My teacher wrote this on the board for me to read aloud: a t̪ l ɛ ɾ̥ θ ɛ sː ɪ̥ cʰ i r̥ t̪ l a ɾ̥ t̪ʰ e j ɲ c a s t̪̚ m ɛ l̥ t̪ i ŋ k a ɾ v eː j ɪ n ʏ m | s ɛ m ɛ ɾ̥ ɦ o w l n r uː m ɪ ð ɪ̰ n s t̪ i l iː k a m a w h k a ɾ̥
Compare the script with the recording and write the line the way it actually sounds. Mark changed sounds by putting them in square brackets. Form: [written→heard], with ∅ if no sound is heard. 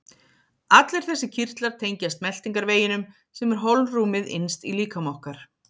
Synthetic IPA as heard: a t̪ l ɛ ɾ̥ θ ɛ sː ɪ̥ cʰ i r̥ t̪ l a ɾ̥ t̪ʰ e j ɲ c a s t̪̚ m ɛ l̥ t̪ i ŋ k a ɾ v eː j ɪ n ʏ m | s ɛ m ɛ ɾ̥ ɦ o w l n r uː m ɪ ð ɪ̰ n s t̪ i l iː k a m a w h k a ɾ̥

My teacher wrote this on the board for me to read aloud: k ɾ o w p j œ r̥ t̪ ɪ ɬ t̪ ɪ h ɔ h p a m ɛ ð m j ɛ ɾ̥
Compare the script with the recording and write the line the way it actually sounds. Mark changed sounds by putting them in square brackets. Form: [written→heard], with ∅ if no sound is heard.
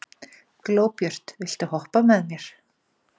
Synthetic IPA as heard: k [ɾ→l] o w p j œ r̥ t̪ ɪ ɬ t̪ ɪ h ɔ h p a m ɛ ð m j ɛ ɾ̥

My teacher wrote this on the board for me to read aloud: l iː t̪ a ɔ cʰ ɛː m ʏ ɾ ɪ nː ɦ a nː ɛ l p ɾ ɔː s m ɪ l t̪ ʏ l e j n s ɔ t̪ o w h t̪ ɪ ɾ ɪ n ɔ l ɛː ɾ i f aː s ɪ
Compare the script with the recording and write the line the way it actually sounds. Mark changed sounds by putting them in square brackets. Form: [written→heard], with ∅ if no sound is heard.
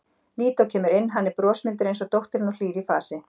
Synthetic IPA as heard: l iː t̪ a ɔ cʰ ɛː m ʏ ɾ ɪ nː ɦ a nː ɛ [l→ɾ] p ɾ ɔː s m ɪ l t̪ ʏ [l→ɾ] e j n s ɔ t̪ o w h t̪ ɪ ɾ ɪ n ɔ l [ɛː→iː] ɾ i f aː s ɪ

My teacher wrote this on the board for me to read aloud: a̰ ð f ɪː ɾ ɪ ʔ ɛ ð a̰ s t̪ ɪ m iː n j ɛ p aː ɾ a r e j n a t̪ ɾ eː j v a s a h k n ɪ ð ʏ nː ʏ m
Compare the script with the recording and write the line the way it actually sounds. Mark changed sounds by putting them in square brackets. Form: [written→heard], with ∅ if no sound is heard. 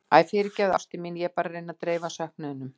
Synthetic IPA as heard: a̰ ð f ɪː ɾ ɪ [ʔ→c] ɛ ð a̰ s t̪ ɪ m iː n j ɛ p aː ɾ a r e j n a t̪ ɾ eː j v a s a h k n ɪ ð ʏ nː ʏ m

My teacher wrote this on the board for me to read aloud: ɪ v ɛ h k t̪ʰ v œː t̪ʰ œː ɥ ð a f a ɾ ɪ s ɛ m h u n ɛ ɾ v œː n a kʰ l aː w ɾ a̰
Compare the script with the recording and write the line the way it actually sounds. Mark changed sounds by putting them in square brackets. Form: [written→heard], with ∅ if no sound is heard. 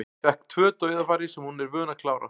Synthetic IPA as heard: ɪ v ɛ h k t̪ʰ v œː [t̪ʰ→t̪] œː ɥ ð a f a ɾ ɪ s ɛ m h u n ɛ ɾ v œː n a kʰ l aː w ɾ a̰

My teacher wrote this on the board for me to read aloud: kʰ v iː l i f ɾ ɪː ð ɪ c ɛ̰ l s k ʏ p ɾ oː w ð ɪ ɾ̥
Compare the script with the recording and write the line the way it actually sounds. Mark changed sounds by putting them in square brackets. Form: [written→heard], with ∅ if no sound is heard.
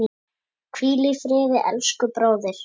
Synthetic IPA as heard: kʰ v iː l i f ɾ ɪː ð ɪ [c→ʔ] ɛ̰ l s k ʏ p ɾ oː w ð ɪ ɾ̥

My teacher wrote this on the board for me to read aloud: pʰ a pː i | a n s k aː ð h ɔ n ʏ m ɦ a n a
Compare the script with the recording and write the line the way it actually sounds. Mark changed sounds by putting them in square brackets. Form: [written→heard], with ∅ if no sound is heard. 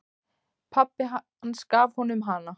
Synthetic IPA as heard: pʰ a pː [i→ɪ] | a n s k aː [ð→v] h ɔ n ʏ m ɦ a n a

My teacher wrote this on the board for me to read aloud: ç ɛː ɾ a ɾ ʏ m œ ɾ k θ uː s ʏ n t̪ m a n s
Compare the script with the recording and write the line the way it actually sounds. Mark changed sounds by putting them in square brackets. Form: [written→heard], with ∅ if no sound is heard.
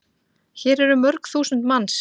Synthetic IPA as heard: ç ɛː ɾ [a→ɛ] ɾ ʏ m œ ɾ k θ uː s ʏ n t̪ m a n s

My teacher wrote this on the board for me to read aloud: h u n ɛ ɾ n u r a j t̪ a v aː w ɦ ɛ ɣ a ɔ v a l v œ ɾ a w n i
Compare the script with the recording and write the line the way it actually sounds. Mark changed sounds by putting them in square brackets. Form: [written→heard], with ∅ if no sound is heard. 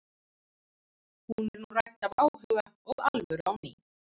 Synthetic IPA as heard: h u n ɛ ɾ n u r a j t̪ a v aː w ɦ [ɛ→œ] ɣ a ɔ [v→ɣ] a l v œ ɾ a w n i

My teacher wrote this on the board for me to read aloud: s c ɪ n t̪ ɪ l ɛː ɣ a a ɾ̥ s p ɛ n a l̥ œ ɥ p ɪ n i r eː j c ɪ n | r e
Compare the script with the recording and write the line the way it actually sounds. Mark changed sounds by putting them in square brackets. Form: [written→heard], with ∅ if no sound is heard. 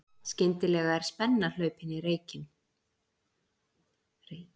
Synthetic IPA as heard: s c ɪ n t̪ ɪ l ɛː ɣ a [a→ɛ] ɾ̥ s p ɛ [n→nː] a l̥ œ ɥ p ɪ n i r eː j c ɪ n | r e

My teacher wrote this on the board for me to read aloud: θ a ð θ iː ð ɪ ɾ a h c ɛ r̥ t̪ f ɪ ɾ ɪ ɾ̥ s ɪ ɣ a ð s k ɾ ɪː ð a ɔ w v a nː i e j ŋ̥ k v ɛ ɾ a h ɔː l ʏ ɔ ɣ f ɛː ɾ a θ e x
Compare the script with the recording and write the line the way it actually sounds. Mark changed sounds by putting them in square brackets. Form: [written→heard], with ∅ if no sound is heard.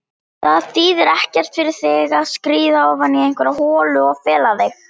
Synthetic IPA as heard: θ a ð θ iː ð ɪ ɾ [a→ɛ] h c ɛ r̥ t̪ f ɪ ɾ ɪ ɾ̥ [s→θ] ɪ ɣ a ð s k ɾ [ɪː→iː] ð a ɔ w v a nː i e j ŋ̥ k v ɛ ɾ a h ɔː l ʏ ɔ ɣ f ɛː [ɾ→l] a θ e x

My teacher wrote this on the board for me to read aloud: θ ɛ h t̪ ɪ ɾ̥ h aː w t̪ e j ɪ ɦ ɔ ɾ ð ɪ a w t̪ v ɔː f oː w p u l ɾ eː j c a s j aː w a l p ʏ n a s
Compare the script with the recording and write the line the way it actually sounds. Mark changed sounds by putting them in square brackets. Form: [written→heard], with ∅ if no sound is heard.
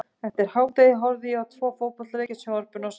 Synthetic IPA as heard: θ ɛ h t̪ ɪ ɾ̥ h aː w t̪ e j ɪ ɦ ɔ ɾ ð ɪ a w [t̪→t̪ʰ] v ɔː f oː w p [u→ɔ] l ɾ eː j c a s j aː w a [l→ɾ] p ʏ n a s

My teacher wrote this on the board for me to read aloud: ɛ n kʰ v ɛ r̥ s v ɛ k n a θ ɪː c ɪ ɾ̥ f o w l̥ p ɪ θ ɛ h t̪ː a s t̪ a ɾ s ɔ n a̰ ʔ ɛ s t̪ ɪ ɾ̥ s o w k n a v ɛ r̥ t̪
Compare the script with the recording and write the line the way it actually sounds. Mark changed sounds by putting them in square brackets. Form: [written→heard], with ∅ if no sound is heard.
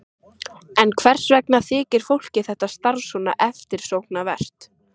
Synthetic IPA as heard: ɛ n kʰ v ɛ r̥ s v ɛ k n a θ ɪː c ɪ ɾ̥ f o w l̥ [p→c] ɪ θ ɛ h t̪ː a s t̪ a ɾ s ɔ n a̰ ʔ ɛ [s→f] t̪ ɪ ɾ̥ s o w k n a v ɛ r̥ t̪

